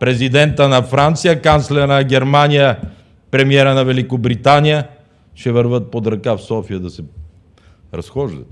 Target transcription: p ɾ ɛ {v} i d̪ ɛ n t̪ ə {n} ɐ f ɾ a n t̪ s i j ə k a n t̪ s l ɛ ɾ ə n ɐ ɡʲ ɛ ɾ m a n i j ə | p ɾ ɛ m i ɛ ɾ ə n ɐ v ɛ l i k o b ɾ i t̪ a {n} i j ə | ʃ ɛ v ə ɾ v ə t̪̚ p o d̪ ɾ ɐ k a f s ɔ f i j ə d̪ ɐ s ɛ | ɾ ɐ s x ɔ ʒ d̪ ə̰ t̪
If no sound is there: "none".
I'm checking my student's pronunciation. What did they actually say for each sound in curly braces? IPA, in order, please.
z, n, n

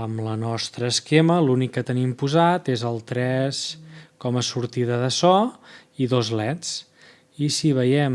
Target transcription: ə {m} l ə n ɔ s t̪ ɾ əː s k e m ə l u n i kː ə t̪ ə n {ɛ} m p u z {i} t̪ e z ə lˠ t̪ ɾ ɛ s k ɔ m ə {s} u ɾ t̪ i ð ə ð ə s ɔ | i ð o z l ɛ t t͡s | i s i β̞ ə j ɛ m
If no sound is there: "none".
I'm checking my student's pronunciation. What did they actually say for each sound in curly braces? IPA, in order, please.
m, i, a, s

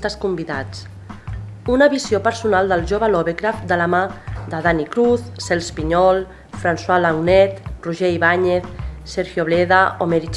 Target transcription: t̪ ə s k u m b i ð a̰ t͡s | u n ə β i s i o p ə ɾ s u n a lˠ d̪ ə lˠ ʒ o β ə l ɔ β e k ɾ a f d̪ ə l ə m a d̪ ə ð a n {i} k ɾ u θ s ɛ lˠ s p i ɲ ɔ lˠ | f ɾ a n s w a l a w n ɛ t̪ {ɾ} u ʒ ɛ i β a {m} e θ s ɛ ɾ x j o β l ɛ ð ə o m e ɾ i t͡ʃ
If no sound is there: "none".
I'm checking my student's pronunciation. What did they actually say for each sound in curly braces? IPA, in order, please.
i, r, ɲ

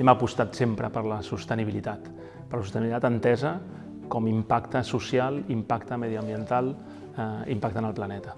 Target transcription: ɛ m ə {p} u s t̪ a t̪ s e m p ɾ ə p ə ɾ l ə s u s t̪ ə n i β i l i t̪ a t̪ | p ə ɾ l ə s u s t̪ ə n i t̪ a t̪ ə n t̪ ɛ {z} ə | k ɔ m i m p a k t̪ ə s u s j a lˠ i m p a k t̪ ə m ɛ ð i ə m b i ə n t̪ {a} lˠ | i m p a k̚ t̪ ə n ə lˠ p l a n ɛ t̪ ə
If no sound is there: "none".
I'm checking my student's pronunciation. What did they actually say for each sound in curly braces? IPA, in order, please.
p, z, a

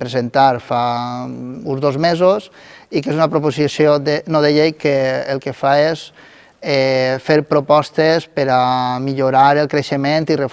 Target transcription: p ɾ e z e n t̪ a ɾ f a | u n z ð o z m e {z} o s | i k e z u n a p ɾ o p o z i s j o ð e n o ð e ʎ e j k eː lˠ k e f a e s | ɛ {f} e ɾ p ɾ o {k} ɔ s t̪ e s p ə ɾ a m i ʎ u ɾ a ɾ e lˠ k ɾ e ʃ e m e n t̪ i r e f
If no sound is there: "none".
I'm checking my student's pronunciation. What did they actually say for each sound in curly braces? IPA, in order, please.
z, f, p

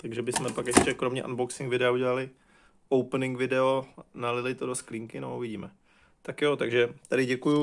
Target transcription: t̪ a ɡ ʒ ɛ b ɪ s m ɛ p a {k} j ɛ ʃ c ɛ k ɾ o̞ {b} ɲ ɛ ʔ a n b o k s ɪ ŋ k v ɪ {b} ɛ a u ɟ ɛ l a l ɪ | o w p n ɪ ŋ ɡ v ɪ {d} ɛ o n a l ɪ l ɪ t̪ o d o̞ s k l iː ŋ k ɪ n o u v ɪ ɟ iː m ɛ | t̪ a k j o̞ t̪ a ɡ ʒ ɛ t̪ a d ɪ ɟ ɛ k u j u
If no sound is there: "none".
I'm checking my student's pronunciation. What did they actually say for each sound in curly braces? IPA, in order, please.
k, m, d, d

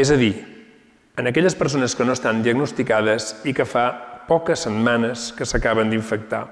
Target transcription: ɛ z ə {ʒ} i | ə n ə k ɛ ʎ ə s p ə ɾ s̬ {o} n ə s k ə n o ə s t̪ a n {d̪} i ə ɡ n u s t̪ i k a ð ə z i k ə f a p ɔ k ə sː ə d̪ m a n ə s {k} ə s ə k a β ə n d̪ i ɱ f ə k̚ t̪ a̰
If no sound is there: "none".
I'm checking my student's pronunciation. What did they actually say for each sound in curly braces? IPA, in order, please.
ð, o, d̪, k

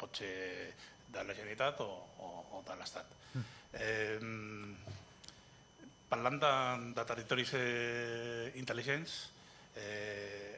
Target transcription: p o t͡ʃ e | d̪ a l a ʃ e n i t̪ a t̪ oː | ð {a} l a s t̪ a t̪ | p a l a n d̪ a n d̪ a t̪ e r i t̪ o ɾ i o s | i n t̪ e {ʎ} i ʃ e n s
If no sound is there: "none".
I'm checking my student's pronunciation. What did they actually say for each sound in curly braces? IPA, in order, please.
a, l

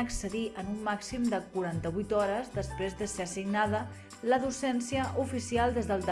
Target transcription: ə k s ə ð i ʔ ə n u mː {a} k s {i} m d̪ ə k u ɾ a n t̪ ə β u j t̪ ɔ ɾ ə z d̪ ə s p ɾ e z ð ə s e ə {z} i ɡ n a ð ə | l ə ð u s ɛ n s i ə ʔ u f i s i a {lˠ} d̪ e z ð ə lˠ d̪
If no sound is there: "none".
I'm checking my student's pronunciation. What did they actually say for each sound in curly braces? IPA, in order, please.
a, i, s, lˠ

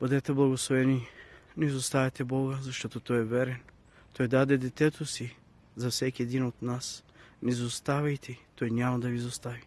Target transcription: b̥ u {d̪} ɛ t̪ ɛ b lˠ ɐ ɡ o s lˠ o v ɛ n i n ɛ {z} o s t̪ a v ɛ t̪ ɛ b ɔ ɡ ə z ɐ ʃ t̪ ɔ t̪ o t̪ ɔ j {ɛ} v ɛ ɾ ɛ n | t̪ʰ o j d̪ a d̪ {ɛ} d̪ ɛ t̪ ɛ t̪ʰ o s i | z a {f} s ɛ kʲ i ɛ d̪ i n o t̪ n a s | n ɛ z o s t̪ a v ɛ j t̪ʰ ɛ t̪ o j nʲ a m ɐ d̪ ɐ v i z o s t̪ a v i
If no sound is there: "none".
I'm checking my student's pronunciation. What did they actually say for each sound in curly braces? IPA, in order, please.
d̪, z, ɛ, ɛ, f

